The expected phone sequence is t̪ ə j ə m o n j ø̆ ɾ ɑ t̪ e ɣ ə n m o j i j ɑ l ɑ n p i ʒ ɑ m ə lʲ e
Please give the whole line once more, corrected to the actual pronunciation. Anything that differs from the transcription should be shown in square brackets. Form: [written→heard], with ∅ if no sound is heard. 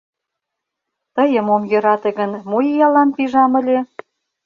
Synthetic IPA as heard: t̪ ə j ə m o [n→m] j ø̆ ɾ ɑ t̪ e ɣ ə n m o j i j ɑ l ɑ n p i ʒ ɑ m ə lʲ e